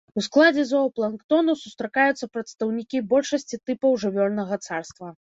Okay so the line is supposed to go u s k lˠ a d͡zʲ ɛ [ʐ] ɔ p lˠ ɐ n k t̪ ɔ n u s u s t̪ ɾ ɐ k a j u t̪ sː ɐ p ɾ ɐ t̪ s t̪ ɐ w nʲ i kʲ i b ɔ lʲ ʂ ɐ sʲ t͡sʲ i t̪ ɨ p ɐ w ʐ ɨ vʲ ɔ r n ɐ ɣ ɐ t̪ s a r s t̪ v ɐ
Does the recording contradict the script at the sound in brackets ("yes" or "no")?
yes